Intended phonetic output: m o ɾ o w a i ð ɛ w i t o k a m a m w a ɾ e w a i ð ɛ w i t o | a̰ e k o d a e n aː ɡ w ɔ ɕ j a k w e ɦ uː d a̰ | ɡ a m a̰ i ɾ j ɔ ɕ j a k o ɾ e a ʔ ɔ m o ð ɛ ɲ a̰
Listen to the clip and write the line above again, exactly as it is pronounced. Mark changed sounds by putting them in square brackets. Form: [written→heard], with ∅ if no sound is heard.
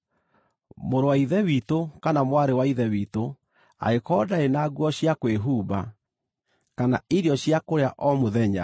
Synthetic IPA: m o ɾ o w a i ð ɛ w i t o k a [m→n] a m w a ɾ e w a i ð ɛ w i t o | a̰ e k [o→ɔ] d a e n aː ɡ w ɔ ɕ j a k w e ɦ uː [d→b] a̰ | [ɡ→k] a [m→n] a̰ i ɾ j ɔ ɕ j a k o ɾ e a ʔ ɔ m o ð ɛ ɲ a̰